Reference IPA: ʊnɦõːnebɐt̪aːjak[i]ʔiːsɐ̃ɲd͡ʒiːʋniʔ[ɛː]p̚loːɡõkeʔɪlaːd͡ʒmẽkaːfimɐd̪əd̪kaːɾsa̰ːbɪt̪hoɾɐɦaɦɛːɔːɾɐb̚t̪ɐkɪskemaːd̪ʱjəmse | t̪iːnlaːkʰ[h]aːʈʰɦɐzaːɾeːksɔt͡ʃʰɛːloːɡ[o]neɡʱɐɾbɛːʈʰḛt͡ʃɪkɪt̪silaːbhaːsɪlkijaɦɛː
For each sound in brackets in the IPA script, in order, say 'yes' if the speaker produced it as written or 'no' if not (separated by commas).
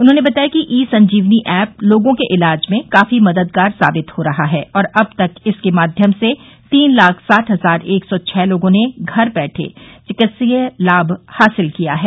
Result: yes, yes, no, no